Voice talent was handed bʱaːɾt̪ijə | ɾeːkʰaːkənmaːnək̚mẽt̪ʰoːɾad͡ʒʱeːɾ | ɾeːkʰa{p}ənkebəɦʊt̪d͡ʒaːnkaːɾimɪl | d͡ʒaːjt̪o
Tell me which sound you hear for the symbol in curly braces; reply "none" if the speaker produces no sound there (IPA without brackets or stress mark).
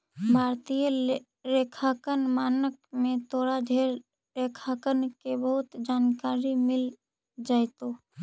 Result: k